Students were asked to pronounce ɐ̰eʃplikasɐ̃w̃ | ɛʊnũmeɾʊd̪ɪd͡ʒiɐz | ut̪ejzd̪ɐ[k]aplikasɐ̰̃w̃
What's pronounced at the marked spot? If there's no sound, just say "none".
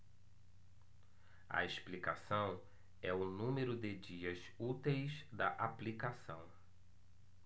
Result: ʔ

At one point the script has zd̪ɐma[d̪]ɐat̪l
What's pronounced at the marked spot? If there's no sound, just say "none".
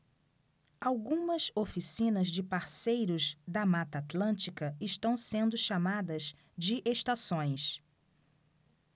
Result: t̪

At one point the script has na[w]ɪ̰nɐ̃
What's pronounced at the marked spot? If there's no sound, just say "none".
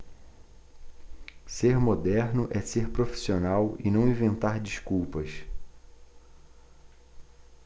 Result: w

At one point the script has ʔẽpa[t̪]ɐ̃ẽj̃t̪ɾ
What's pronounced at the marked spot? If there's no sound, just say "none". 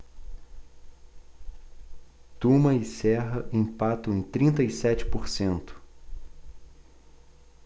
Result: t̪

